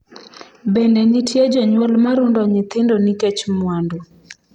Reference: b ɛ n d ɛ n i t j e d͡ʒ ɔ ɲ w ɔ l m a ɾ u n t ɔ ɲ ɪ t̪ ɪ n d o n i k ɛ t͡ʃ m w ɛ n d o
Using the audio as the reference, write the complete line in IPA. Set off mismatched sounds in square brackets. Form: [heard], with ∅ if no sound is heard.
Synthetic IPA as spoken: b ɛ n d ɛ n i t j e d͡ʒ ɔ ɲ w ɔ l m a ɾ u n [d] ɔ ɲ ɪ t̪ ɪ n d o n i k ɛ t͡ʃ m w [a] n d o